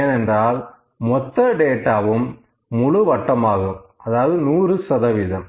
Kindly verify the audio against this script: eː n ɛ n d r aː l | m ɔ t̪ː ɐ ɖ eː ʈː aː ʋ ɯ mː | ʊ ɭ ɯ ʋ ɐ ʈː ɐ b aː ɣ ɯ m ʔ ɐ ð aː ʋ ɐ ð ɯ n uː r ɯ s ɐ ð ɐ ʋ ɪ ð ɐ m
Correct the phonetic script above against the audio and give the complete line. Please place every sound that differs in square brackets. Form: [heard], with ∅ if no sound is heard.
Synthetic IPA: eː n ɛ n d r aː l | m ɔ t̪ː ɐ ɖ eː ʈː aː ʋ ɯ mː | ʊ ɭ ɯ ʋ ɐ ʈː ɐ [m] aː ɣ ɯ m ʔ ɐ ð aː ʋ ɐ ð ɯ n uː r ɯ s ɐ ð ɐ ʋ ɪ ð ɐ m